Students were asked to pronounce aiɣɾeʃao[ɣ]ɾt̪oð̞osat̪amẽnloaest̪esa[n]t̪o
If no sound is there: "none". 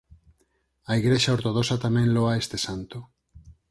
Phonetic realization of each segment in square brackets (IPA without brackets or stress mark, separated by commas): none, n